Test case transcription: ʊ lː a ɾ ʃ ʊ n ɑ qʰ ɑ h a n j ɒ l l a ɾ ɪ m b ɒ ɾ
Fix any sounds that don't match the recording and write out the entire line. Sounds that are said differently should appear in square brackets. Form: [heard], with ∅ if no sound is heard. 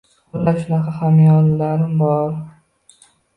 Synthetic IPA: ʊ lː a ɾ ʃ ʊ n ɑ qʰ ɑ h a [m] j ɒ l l a ɾ ɪ m b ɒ ɾ